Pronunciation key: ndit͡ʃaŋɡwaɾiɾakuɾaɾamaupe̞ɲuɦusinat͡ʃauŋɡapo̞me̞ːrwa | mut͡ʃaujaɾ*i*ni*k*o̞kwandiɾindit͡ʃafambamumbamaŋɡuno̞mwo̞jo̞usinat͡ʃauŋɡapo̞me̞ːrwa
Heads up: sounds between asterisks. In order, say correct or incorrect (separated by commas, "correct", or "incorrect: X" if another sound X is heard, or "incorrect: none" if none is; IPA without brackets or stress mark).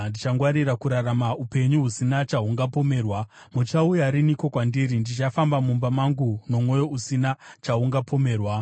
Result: correct, correct